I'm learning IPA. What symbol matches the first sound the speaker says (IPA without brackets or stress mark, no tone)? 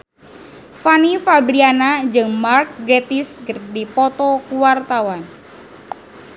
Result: f